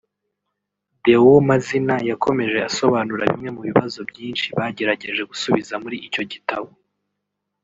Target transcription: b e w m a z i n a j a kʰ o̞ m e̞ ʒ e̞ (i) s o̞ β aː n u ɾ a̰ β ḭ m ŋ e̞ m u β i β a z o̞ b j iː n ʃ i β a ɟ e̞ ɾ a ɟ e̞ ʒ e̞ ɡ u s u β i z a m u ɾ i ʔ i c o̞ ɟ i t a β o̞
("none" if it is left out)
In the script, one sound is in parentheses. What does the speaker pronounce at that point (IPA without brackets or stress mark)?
a